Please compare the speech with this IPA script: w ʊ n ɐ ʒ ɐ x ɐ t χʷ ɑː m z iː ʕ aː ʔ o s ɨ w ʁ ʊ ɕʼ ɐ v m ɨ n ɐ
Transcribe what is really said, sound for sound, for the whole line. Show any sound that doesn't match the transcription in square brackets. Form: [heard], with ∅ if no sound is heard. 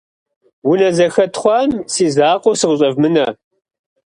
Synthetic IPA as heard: w ʊ n ɐ [z] ɐ x ɐ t χʷ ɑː m [s] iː [z] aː [q] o s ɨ [∅] ʁ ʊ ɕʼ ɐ v m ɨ n ɐ